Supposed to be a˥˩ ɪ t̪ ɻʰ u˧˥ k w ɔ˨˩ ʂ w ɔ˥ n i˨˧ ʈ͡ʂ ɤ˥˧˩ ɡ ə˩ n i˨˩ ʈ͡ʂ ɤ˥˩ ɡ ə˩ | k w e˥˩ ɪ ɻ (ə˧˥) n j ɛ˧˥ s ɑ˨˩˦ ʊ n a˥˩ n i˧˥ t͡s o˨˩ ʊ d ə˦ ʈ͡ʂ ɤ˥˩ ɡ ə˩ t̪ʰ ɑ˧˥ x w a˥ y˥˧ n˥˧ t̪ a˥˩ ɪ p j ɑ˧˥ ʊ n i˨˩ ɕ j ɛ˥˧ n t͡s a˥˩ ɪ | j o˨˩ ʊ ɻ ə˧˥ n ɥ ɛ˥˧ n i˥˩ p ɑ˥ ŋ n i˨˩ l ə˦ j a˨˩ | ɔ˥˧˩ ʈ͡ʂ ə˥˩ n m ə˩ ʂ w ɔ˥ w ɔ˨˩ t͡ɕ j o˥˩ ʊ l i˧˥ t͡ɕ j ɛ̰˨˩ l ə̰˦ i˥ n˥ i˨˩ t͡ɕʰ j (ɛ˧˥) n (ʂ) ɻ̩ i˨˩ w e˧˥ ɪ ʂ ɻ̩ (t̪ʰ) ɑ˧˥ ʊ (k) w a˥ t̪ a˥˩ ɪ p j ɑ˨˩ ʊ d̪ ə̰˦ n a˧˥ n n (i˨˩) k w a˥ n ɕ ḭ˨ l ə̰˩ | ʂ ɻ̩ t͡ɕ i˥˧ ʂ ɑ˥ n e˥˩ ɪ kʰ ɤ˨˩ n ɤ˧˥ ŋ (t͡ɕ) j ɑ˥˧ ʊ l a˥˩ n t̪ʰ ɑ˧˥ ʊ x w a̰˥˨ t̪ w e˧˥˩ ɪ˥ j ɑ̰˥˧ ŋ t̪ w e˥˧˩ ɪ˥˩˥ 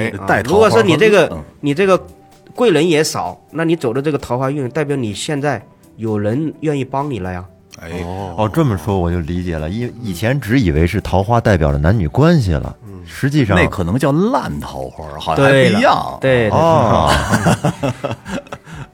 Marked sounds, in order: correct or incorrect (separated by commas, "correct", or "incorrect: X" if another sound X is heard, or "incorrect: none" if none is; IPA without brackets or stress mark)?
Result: correct, correct, incorrect: ʈ͡ʂ, correct, incorrect: x, incorrect: y˨˩, correct